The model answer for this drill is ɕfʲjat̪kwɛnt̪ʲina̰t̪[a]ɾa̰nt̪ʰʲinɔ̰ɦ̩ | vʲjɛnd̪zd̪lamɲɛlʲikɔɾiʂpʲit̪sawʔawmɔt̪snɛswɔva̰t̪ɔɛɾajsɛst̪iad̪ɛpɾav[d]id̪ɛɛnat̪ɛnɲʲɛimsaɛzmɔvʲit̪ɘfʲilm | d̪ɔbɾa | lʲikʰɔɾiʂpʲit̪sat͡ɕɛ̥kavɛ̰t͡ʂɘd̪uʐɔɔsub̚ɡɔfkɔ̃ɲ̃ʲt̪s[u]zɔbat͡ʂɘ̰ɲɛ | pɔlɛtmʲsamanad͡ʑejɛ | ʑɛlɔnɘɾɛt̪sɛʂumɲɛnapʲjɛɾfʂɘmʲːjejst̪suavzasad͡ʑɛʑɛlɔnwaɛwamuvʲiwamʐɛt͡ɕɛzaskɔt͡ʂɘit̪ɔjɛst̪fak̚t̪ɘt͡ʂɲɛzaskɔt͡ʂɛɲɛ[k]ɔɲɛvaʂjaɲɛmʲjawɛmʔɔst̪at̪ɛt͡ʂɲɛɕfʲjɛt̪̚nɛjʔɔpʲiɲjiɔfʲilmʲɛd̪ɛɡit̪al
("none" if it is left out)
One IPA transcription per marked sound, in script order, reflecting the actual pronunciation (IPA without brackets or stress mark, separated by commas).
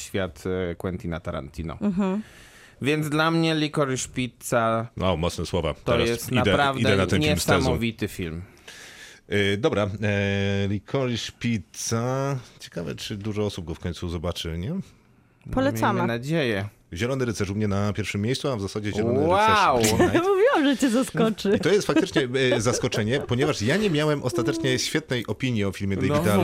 a, d, u, p